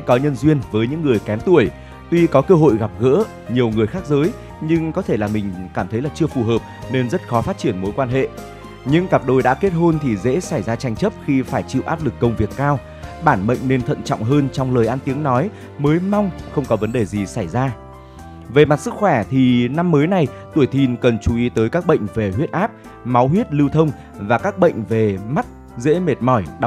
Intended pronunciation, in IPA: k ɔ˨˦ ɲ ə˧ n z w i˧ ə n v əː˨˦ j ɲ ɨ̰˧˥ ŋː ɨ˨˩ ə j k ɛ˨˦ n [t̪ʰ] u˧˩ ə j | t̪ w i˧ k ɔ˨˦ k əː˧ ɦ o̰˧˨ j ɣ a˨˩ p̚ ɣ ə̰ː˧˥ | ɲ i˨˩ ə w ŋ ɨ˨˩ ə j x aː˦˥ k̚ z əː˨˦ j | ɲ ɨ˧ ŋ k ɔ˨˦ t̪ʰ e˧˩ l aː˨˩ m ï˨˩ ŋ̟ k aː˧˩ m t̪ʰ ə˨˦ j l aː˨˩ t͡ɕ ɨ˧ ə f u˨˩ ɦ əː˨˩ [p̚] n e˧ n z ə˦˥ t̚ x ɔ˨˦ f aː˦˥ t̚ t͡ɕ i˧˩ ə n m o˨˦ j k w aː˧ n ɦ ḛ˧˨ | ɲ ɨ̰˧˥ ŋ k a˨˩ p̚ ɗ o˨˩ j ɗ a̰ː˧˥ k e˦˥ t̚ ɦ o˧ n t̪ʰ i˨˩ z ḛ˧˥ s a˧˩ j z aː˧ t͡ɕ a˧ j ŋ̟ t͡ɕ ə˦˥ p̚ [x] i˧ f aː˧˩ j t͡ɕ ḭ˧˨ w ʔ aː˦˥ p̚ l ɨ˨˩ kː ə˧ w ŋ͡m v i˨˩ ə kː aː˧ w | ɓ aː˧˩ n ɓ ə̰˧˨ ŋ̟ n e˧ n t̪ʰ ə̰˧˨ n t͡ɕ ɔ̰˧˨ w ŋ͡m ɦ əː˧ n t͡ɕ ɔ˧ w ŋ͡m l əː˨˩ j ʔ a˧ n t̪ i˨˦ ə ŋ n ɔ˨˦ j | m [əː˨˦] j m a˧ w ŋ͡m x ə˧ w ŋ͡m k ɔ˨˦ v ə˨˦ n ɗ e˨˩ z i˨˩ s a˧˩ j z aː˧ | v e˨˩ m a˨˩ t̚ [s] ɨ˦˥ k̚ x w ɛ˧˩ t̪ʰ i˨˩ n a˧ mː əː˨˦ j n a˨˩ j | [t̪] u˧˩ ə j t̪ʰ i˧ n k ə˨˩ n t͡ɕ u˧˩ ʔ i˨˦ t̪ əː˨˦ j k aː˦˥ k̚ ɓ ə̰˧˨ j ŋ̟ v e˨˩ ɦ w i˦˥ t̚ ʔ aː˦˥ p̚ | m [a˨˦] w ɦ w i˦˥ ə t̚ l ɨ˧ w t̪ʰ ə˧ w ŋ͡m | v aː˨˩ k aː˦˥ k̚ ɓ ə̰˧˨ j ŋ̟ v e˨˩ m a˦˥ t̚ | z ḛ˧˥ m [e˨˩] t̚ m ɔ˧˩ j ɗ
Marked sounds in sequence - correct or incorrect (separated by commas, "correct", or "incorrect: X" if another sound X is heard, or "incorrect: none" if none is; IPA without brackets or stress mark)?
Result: incorrect: t̪, correct, correct, correct, correct, correct, correct, correct